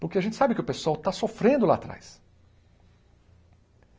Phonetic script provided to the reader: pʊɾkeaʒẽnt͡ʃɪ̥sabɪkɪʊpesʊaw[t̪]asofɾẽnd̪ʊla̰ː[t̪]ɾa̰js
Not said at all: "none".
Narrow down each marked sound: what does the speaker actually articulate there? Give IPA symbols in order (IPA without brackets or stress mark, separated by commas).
t̪, t̪